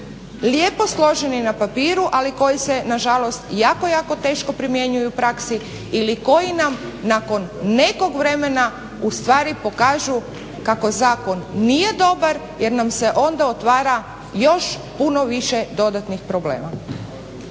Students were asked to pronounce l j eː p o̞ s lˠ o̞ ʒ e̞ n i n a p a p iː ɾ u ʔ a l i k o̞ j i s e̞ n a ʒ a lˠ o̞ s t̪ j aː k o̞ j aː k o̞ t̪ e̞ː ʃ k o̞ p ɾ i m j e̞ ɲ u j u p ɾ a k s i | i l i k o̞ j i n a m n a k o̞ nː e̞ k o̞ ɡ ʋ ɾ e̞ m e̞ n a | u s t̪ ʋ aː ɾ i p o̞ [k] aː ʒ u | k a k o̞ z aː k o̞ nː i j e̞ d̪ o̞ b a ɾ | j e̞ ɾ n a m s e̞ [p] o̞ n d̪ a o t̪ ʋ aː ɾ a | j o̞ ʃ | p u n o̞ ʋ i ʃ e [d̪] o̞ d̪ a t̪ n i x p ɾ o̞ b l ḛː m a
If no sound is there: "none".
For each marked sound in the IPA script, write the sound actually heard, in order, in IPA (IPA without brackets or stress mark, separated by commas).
k, ʔ, d̪